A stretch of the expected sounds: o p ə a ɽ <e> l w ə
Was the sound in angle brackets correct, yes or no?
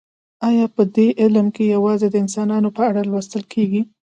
no